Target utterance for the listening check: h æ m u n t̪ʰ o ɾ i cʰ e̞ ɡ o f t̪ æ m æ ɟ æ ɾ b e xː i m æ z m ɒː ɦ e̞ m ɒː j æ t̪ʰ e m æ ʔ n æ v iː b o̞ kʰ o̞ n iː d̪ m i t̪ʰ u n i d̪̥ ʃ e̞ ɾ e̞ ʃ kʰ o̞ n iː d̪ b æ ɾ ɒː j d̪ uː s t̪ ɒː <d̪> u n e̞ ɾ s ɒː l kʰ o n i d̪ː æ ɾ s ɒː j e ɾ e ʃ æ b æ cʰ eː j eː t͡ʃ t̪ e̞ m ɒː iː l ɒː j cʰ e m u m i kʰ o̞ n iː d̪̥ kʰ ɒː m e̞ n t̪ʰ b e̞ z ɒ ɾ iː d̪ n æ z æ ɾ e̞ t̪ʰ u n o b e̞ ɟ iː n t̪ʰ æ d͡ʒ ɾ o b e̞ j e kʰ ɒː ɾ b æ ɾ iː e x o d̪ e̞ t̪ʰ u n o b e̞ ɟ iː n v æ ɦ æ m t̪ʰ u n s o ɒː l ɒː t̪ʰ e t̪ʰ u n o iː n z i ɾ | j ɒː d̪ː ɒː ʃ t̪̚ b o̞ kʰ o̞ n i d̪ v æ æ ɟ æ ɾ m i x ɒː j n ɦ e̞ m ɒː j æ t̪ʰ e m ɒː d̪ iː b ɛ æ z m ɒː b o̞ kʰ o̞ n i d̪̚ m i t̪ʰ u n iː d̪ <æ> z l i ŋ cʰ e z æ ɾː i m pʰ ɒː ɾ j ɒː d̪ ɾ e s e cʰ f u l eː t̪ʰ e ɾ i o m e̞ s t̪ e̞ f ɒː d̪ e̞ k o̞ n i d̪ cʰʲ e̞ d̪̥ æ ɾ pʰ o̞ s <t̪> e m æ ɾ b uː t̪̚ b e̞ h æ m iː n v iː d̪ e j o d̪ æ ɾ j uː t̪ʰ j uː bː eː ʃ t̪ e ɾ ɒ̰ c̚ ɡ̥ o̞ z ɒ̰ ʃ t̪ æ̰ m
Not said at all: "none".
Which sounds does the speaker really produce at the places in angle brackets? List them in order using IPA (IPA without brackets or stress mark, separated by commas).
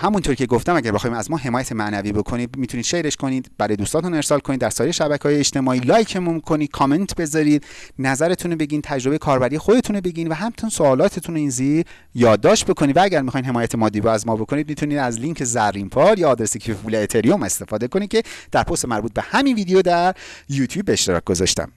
t̪, æ, t̪